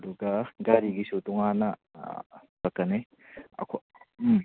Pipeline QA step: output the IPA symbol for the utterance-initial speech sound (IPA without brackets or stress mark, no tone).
d